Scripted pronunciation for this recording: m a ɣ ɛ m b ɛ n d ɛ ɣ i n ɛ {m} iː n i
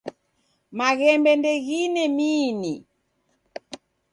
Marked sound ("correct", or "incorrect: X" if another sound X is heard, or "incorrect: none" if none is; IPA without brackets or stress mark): correct